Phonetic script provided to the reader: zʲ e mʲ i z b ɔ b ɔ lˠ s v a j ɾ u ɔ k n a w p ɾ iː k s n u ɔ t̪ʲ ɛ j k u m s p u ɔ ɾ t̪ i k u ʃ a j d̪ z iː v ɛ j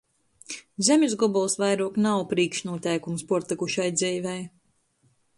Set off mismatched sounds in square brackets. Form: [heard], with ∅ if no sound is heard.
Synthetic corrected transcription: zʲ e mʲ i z [ɡ] ɔ b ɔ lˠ s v a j ɾ u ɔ k n a w p ɾ iː k [ʃ] n u ɔ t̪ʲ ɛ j k u m s p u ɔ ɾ t̪ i k u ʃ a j d̪ z iː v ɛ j